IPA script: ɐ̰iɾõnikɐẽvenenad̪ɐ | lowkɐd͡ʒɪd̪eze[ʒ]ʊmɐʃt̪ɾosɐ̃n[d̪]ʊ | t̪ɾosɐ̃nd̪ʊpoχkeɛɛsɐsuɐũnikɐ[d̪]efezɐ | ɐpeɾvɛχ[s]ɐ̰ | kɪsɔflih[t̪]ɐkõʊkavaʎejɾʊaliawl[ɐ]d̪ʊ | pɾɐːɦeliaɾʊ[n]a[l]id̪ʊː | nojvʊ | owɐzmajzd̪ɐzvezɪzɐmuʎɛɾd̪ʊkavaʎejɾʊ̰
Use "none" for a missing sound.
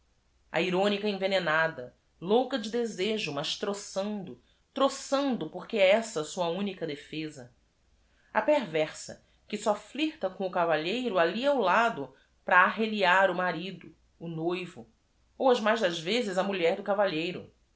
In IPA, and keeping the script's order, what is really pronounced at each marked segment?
ʒ, d̪, d̪, s, t̪, a, m, ɾ

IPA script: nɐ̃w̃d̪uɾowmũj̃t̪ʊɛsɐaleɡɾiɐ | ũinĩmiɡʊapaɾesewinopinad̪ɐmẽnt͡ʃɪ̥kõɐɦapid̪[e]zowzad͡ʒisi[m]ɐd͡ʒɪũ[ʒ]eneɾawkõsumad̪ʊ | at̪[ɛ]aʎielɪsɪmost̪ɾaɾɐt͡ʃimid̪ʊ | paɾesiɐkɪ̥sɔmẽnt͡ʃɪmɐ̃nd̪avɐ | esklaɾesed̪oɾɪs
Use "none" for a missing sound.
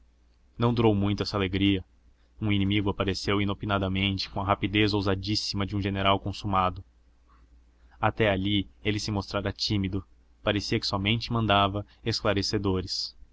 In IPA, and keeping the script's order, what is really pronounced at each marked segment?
e, m, ʒ, ɛ

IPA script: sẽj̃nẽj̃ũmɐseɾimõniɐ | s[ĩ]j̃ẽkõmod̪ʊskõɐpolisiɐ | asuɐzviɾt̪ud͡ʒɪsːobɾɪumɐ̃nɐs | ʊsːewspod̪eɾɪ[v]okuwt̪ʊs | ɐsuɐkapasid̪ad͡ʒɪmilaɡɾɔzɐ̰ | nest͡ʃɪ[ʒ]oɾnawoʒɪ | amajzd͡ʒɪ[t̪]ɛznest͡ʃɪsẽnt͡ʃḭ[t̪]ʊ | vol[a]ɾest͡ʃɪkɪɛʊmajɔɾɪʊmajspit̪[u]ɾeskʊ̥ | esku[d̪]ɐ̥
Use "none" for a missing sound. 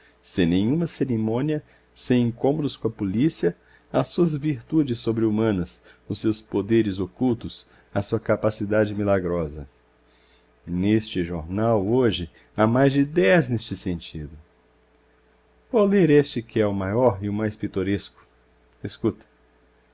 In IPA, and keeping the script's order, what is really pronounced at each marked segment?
ẽ, z, ʒ, d̪, d̪, e, o, t̪

